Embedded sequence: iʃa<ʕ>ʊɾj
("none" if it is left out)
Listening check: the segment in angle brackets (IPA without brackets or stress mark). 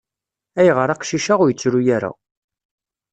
ʁ